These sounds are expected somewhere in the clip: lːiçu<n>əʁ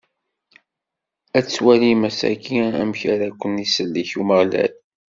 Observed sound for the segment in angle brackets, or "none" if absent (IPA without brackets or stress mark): m